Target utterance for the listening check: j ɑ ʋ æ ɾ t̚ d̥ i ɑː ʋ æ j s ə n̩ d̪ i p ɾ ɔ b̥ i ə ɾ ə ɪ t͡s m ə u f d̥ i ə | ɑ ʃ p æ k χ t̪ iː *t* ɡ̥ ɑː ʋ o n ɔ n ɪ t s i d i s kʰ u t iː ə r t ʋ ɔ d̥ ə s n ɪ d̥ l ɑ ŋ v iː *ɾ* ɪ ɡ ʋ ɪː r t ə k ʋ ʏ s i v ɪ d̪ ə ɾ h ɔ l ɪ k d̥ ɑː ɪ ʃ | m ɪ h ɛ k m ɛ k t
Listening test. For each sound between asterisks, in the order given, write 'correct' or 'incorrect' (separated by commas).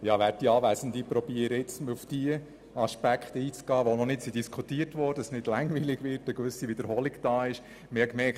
incorrect, incorrect